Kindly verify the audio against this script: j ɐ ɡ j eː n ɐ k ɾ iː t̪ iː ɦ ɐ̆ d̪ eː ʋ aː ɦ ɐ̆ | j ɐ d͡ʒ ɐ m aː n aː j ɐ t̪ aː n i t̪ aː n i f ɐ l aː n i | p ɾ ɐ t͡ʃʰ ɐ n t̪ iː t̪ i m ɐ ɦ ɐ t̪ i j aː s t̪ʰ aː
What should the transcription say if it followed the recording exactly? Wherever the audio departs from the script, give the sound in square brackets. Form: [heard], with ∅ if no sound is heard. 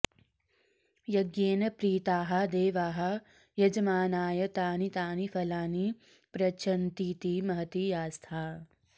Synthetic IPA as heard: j ɐ ɡ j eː n ɐ [p] ɾ iː t̪ [aː] ɦ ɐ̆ d̪ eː ʋ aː ɦ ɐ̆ | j ɐ d͡ʒ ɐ m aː n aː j ɐ t̪ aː n i t̪ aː n i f ɐ l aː n i | p ɾ ɐ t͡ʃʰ ɐ n t̪ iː t̪ i m ɐ ɦ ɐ t̪ i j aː s t̪ʰ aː